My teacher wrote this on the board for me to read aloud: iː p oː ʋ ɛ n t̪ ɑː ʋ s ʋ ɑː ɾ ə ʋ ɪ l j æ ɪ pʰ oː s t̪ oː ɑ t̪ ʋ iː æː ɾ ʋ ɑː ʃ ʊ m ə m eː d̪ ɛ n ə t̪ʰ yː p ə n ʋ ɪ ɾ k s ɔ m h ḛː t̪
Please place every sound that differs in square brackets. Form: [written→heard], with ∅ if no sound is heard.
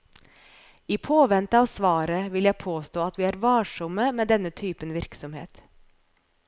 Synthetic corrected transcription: iː [p→pʰ] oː ʋ ɛ n t̪ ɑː ʋ s ʋ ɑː ɾ ə ʋ ɪ l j æ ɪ pʰ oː s t̪ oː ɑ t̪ ʋ iː æː ɾ ʋ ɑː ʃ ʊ m ə m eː d̪ ɛ n ə t̪ʰ yː p ə n ʋ ɪ ɾ k s ɔ m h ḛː t̪